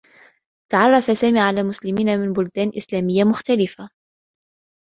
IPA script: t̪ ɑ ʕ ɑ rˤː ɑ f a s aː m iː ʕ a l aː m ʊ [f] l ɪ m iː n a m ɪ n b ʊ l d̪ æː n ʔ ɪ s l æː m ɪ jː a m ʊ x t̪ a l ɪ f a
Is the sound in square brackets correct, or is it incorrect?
incorrect: s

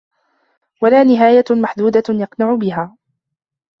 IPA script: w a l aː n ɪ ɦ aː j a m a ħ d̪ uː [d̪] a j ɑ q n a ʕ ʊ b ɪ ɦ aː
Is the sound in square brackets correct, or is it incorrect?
correct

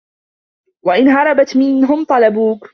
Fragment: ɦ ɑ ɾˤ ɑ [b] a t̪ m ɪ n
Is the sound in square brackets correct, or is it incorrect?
correct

